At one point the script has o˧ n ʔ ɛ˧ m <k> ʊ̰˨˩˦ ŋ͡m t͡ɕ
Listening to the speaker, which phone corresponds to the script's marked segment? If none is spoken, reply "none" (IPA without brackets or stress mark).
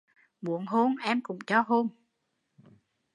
k